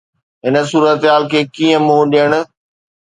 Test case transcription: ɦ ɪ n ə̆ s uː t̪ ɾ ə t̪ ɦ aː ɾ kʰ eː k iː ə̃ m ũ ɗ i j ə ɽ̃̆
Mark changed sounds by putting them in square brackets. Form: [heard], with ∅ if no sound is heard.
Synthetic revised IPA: ɦ ɪ n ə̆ s uː [∅] ɾ ə t̪ ɦ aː [l] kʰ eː k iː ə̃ m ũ ɗ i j ə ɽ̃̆